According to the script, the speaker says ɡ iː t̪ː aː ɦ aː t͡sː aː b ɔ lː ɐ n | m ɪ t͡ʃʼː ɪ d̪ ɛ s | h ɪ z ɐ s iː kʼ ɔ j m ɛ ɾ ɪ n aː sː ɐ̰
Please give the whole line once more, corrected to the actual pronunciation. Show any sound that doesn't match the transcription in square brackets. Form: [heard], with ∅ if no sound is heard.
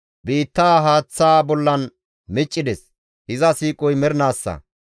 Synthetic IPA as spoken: [b] iː t̪ː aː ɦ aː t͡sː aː b ɔ lː ɐ n | m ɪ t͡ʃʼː ɪ d̪ ɛ s | h ɪ z ɐ s iː kʼ ɔ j m ɛ ɾ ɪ n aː sː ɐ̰